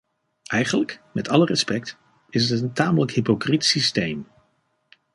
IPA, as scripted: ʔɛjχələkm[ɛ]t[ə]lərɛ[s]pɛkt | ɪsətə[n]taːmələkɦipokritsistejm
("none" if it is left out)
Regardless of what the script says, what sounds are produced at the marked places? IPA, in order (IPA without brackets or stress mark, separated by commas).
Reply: ɛ, ɑ, s, n